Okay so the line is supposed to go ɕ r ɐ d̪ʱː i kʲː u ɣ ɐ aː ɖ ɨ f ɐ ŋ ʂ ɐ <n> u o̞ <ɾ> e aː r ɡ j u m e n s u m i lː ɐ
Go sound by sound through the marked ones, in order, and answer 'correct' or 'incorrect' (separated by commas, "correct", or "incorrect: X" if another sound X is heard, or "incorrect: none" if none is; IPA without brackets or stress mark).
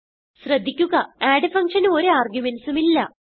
correct, correct